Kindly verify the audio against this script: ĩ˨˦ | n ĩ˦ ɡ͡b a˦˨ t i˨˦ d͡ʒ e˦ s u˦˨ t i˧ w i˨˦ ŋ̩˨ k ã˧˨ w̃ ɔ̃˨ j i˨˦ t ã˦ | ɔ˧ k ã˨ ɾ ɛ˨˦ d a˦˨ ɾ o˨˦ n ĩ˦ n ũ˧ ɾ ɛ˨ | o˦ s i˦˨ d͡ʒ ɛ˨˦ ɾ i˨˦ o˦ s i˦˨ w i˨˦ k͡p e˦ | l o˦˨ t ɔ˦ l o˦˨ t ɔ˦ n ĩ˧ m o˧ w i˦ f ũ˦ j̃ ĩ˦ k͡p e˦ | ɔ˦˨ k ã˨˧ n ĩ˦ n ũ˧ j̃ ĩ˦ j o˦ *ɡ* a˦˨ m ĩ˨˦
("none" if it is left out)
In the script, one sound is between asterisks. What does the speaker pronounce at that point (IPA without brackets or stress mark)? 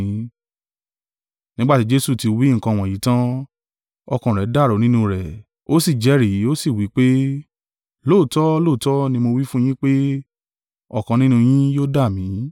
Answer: d